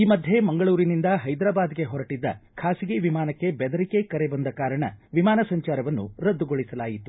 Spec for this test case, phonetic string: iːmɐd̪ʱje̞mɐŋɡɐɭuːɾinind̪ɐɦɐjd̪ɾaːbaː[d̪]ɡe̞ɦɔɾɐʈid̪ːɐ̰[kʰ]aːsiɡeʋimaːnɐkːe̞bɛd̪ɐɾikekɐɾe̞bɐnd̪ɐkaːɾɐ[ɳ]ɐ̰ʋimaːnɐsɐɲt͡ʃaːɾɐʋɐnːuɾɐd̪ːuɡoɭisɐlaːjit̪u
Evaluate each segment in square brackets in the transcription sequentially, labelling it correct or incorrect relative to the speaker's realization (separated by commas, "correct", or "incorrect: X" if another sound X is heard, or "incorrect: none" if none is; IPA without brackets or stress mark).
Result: correct, correct, correct